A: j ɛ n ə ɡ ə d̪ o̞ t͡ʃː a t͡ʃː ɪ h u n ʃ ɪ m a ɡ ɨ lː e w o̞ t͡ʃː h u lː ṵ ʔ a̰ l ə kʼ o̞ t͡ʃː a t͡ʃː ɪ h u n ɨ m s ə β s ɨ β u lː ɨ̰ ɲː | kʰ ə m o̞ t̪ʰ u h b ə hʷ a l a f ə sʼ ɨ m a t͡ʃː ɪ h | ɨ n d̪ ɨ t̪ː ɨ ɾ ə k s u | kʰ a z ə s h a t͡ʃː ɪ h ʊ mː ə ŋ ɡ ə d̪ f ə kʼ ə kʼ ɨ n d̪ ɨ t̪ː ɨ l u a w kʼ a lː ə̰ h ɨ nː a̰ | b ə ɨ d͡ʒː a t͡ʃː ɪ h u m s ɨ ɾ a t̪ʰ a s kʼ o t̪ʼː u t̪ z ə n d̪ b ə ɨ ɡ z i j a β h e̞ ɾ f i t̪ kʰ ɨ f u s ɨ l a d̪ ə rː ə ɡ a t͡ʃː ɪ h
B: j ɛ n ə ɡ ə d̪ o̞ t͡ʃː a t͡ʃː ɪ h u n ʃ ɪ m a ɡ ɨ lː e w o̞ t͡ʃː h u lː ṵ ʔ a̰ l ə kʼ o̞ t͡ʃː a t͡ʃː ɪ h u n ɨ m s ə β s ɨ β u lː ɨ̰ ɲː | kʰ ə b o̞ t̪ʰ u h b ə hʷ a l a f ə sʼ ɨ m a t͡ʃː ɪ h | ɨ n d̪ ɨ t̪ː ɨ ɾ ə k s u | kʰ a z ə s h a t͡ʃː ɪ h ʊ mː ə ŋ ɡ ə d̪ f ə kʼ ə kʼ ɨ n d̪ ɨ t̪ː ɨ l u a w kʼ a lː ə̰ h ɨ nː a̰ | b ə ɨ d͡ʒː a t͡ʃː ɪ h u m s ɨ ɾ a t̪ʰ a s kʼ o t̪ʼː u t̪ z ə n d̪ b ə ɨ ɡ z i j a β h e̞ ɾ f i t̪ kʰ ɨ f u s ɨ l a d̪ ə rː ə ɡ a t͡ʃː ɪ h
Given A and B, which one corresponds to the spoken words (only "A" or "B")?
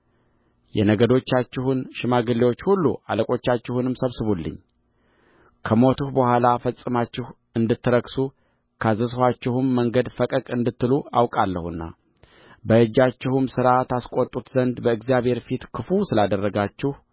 A